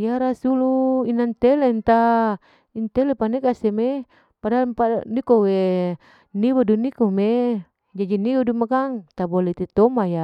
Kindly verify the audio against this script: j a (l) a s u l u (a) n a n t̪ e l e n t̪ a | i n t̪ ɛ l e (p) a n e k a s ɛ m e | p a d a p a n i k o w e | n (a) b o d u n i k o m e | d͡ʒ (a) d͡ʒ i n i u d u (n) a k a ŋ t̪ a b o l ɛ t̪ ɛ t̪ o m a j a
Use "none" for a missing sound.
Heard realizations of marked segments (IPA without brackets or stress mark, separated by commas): ɾ, i, p, i, a, m